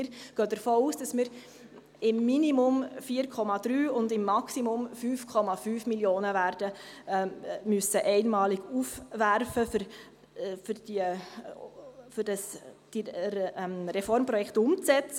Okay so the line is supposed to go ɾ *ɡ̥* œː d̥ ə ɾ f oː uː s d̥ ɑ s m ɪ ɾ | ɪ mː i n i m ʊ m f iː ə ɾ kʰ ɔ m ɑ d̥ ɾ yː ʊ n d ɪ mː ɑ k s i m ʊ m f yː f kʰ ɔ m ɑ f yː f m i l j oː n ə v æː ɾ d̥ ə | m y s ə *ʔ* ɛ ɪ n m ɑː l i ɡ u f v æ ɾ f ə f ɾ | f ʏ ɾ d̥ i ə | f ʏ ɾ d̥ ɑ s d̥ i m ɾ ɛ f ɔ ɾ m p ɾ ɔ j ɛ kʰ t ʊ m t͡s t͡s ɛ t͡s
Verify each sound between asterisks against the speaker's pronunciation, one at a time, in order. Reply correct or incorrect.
correct, correct

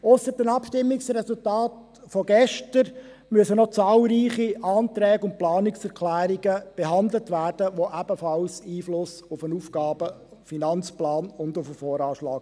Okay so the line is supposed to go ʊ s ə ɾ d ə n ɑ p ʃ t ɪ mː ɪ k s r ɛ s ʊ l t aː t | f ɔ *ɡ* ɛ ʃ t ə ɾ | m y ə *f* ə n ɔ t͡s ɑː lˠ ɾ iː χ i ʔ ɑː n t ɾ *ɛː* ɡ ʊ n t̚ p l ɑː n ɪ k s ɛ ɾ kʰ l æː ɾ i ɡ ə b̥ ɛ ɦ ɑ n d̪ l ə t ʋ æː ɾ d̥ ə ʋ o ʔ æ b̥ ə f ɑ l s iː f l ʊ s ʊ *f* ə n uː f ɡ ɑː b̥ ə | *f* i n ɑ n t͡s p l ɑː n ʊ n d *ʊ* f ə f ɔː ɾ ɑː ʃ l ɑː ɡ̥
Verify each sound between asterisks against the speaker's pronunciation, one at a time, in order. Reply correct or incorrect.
correct, incorrect, correct, correct, correct, correct

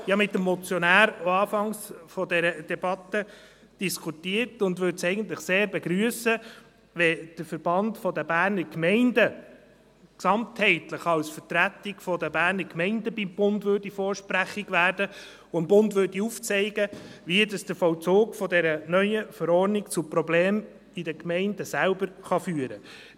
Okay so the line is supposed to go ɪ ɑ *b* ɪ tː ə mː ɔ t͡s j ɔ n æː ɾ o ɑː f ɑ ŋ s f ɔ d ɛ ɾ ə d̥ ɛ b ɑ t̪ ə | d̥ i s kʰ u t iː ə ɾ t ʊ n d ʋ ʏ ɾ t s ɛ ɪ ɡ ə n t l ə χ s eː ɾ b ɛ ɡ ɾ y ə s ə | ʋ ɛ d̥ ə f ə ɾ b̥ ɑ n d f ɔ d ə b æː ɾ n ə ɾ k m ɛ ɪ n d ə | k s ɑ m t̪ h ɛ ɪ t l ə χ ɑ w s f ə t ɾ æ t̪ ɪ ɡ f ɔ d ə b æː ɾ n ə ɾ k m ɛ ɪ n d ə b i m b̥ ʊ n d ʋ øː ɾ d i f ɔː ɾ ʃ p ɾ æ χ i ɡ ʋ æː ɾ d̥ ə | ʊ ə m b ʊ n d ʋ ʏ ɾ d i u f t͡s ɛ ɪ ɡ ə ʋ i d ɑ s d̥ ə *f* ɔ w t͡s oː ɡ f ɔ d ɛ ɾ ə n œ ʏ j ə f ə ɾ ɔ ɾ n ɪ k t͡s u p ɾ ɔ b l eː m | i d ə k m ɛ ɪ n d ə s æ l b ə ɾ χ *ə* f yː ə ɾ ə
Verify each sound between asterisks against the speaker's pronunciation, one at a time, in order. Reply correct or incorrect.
incorrect, correct, incorrect

